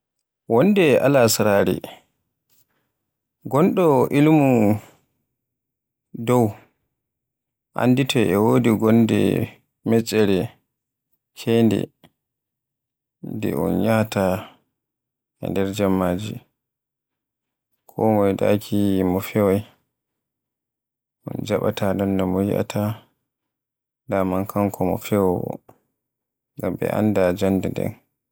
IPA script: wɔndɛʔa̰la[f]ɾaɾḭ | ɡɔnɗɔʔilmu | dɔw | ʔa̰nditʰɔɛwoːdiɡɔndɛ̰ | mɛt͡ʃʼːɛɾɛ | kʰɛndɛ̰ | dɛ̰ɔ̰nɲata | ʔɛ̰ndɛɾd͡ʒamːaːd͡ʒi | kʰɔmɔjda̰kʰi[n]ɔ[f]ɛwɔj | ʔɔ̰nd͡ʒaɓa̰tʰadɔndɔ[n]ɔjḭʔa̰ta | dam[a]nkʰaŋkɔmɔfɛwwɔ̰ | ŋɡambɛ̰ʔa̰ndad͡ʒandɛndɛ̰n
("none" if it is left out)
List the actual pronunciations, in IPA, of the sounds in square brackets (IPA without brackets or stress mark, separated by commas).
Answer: s, m, f, m, a